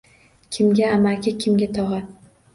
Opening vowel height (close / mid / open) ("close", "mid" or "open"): close